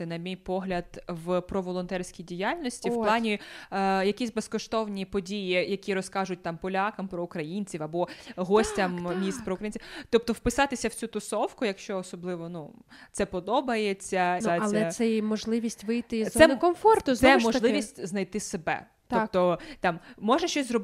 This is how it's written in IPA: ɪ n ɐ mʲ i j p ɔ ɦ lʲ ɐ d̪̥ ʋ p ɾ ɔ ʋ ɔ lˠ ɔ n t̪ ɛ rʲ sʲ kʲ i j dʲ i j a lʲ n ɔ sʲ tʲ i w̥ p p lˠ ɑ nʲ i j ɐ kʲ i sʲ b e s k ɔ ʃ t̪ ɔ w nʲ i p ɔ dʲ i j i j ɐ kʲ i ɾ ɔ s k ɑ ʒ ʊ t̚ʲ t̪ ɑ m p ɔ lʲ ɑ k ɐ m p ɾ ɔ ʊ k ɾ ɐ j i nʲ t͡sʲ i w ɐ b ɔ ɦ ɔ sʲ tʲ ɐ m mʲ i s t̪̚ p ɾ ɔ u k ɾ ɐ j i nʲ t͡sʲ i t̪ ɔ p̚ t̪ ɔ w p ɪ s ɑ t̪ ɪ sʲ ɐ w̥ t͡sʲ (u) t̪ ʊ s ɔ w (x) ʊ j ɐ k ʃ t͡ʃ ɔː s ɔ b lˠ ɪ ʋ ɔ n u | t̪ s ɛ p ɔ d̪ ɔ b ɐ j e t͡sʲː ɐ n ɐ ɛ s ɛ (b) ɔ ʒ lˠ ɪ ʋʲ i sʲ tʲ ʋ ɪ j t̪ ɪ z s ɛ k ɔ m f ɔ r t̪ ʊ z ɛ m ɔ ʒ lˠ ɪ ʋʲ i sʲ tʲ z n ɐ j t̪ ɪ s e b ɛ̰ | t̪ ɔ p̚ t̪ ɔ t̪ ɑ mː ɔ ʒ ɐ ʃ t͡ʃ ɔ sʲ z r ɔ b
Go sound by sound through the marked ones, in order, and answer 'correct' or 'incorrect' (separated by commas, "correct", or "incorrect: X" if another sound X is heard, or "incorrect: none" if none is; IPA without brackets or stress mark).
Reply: correct, incorrect: k, incorrect: m